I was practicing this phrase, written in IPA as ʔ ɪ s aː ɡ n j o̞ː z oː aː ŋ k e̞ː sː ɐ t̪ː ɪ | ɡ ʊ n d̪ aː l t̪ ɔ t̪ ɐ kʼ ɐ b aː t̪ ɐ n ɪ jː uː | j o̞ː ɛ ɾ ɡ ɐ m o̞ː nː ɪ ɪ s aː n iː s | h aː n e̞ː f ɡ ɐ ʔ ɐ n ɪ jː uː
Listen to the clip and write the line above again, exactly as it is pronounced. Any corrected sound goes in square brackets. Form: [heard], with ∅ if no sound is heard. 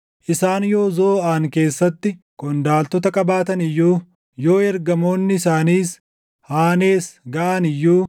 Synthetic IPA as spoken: ʔ ɪ s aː [∅] n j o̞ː z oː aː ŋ k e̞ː sː ɐ t̪ː ɪ | [k] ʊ n d̪ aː l t̪ ɔ t̪ ɐ kʼ ɐ b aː t̪ ɐ n ɪ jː uː | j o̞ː ɛ ɾ ɡ ɐ m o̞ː nː ɪ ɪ s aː n iː s | h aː n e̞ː [s] ɡ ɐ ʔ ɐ n ɪ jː uː